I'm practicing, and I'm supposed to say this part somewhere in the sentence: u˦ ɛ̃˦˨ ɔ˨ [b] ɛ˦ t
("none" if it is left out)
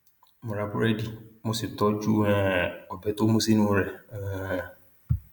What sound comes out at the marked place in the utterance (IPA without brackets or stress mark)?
b